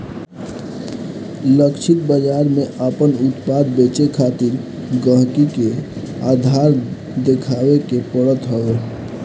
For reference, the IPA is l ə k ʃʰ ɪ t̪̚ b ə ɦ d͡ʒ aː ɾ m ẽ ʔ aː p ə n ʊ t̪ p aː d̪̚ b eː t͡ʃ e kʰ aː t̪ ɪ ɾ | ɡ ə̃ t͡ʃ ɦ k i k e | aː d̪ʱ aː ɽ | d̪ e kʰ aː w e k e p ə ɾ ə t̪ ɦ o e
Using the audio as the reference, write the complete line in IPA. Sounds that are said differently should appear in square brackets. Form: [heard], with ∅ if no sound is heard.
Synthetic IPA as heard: l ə k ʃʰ ɪ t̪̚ b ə [∅] d͡ʒ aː ɾ m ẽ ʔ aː p ə n ʊ t̪ p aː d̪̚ b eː t͡ʃ e kʰ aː t̪ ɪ ɾ | ɡ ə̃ [∅] ɦ k i k e | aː d̪ʱ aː [ɾ] | d̪ e kʰ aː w e k e p ə [ɽ] ə t̪ ɦ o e